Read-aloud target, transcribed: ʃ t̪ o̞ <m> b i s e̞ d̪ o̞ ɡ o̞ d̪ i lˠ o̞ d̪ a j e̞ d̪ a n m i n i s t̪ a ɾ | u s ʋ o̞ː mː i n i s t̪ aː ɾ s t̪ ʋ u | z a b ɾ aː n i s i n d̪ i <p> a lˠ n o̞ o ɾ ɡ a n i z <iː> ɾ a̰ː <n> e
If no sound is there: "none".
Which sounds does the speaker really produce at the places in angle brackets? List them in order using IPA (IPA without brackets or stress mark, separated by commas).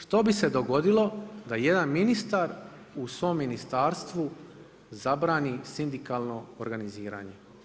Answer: none, k, iː, ɲ